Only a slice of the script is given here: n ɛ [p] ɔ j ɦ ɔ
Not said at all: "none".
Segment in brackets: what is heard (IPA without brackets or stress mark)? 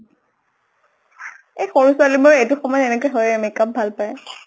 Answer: k